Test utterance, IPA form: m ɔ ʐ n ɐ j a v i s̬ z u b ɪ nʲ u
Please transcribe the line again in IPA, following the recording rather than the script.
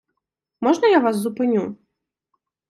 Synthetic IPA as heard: m ɔ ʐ n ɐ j a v a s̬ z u p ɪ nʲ u